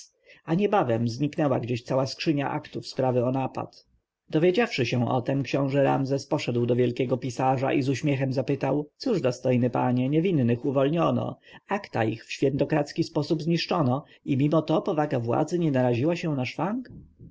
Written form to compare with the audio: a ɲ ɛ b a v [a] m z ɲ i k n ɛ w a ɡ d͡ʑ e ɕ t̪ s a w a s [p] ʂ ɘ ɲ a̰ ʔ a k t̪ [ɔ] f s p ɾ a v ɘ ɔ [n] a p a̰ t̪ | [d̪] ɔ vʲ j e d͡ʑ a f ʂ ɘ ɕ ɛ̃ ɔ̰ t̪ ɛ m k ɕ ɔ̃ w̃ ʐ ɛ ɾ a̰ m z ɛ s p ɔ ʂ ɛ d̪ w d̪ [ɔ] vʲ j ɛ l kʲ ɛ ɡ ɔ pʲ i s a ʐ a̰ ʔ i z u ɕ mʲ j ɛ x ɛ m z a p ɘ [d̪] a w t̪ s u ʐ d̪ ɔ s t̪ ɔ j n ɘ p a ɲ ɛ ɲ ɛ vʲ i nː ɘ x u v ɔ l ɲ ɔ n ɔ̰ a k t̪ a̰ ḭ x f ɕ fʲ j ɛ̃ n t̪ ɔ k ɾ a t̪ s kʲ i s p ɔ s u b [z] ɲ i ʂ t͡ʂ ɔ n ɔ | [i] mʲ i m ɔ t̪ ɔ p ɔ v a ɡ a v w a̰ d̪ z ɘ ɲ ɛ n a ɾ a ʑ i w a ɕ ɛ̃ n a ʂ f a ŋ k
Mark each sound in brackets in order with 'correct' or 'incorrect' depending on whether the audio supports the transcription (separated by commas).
incorrect, incorrect, incorrect, correct, correct, correct, incorrect, correct, correct